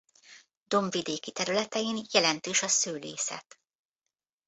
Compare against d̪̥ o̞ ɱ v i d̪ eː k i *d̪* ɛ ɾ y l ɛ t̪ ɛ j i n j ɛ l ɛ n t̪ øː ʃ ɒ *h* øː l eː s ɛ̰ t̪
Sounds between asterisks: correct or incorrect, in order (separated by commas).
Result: incorrect, incorrect